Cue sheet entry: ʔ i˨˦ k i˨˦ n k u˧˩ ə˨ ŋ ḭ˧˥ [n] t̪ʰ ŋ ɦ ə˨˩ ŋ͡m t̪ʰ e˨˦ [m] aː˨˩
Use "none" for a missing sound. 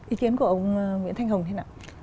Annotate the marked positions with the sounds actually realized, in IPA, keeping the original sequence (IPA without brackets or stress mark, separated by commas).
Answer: n, n